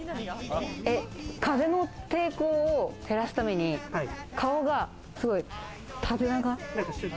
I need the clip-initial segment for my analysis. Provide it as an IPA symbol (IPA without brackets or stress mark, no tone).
e̞